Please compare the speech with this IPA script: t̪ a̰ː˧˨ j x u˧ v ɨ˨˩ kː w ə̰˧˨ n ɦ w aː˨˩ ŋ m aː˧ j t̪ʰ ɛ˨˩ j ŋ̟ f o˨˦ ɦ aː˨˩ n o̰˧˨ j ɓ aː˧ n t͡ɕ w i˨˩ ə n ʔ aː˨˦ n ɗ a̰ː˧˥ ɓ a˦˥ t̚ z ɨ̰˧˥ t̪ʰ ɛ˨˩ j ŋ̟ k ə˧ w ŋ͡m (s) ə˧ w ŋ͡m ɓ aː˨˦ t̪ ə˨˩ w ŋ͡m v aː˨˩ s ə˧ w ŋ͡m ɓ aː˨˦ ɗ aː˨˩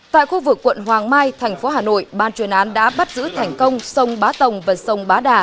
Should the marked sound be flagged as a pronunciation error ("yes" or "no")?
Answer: no